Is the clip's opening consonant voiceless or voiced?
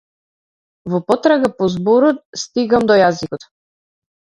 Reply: voiced